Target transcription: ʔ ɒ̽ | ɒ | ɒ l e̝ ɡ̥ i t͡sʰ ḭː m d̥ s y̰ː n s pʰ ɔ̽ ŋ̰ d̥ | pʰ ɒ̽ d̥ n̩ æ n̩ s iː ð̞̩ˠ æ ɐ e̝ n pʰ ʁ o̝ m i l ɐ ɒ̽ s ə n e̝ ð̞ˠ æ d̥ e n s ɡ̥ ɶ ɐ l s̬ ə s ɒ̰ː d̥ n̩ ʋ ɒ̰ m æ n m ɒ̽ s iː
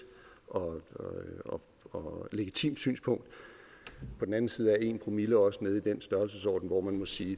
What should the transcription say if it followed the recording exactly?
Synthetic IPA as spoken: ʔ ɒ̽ | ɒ | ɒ l e̝ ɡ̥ i t͡sʰ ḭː m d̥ s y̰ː n s pʰ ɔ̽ ŋ̰ d̥ | pʰ ɒ̽ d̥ n̩ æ n̩ s iː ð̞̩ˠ æ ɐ e̝ n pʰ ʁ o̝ m i l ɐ ɒ̽ s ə n e̝ ð̞ˠ i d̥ e n s d̥ ɶ ɐ l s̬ ə s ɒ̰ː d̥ n̩ ʋ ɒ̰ m æ n m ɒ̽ s iː